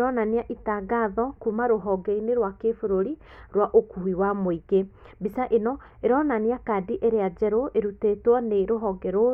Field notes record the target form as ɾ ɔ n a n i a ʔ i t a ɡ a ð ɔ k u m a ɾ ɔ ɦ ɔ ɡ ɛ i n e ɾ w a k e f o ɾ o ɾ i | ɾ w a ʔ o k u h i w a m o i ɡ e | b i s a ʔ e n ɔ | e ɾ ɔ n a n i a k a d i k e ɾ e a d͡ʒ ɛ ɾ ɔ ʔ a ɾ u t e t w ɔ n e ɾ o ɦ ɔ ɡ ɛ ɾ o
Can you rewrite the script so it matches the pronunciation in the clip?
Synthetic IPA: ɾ ɔ n a n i a ʔ i t a ɡ a ð ɔ k u m a ɾ o ɦ ɔ ɡ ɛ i n e ɾ w a k e f o ɾ o ɾ i | ɾ w a ʔ o k u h i w a m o i ɡ e | b i s a ʔ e n ɔ | e ɾ ɔ n a n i a k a d i ʔ e ɾ e a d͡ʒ ɛ ɾ o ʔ e ɾ u t e t w ɔ n e ɾ o ɦ ɔ ɡ ɛ ɾ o